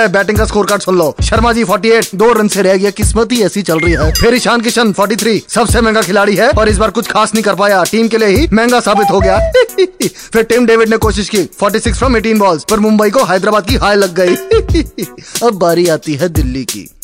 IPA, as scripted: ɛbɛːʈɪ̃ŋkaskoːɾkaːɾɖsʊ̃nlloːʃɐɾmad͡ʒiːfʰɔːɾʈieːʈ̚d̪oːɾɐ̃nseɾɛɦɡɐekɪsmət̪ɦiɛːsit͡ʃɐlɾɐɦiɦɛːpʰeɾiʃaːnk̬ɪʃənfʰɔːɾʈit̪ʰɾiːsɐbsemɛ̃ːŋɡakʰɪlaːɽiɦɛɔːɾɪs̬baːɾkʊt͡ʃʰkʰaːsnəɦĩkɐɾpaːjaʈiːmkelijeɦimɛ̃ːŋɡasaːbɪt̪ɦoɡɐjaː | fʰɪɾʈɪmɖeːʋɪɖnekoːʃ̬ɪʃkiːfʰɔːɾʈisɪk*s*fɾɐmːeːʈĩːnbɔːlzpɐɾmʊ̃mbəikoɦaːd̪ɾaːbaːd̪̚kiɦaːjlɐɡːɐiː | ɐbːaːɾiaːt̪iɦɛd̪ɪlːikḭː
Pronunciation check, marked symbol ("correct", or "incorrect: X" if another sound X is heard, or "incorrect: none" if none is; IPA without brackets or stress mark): correct